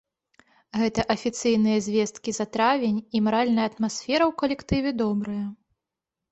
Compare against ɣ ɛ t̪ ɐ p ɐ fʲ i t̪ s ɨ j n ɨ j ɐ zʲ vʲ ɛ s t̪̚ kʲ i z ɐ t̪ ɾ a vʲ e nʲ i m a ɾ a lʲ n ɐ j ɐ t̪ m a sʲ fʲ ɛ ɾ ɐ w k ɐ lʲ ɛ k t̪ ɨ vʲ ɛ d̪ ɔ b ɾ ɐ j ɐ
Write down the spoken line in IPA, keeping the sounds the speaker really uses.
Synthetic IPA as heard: ɣ ɛ t̪ ɐ ʔ ɐ fʲ i t̪ s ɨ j n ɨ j ɐ zʲ vʲ ɛ s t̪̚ kʲ i z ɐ t̪ ɾ a vʲ e nʲ i m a ɾ a lʲ n ɐ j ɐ t̪ m a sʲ fʲ ɛ ɾ ɐ w k ɐ lʲ ɛ k t̪ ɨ vʲ ɛ d̪ ɔ b ɾ ɐ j ɐ